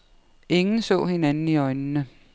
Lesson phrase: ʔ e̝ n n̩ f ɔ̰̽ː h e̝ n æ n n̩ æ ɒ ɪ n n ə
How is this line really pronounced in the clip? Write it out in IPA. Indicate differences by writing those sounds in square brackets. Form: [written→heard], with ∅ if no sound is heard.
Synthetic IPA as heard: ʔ e̝ [n→ŋ] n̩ [f→s] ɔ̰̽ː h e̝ n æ n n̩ [æ→i] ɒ ɪ n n ə